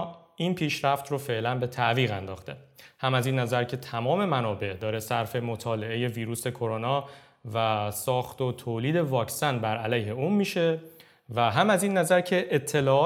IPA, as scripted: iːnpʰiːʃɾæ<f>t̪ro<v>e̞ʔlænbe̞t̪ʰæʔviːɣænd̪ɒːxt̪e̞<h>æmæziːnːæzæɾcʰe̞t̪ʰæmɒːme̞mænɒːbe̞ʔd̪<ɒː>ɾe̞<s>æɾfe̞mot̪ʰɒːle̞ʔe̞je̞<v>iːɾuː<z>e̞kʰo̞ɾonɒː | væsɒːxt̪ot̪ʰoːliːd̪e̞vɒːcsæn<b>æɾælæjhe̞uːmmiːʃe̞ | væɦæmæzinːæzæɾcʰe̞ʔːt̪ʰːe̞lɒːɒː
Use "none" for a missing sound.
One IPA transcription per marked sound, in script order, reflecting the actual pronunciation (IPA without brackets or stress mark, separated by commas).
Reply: f, f, h, ɒː, s, v, s, b